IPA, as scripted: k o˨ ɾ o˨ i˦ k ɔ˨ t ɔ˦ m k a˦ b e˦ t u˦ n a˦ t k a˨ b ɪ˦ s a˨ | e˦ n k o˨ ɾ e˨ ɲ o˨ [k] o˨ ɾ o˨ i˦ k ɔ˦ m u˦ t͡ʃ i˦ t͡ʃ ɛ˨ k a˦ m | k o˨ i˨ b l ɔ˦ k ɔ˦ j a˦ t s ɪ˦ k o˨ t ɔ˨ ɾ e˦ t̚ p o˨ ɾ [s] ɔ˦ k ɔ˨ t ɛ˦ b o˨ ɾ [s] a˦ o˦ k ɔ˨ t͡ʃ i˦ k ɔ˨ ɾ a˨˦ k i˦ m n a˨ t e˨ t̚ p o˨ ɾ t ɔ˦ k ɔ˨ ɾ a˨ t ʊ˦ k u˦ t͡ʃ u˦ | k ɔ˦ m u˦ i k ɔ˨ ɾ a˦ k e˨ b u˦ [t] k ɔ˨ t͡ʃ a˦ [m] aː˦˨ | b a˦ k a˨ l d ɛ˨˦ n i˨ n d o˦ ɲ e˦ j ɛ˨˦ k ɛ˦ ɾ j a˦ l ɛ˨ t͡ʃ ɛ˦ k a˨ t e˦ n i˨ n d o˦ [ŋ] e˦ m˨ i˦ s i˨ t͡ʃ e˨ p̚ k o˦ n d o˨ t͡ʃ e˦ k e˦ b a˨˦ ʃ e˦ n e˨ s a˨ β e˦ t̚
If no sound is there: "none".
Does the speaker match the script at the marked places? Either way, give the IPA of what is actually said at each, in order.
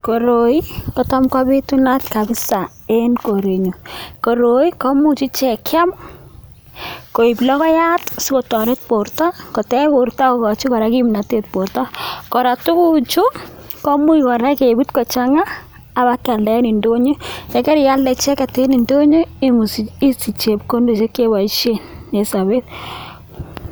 k, t, t, t, ŋ, ɲ

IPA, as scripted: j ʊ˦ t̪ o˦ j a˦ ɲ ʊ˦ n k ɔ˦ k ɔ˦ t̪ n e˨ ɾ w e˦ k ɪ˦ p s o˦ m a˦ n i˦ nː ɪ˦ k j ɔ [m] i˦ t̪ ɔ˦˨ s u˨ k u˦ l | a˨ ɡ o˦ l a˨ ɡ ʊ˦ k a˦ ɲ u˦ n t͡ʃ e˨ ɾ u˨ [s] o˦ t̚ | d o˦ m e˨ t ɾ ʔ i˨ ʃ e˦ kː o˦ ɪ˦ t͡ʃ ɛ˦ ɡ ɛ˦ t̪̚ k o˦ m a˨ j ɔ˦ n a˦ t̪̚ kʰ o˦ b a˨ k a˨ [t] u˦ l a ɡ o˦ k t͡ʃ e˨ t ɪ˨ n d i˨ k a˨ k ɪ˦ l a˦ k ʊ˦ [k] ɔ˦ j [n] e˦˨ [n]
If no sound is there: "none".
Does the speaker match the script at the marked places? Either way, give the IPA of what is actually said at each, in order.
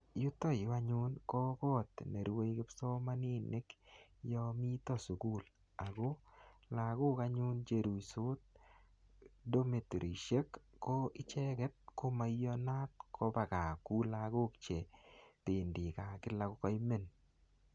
m, s, k, k, m, n

